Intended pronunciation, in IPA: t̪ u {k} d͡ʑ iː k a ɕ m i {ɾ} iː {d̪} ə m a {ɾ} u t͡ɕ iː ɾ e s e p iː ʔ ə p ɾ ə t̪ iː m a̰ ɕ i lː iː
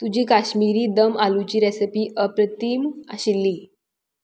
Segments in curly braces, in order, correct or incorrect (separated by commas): incorrect, correct, correct, incorrect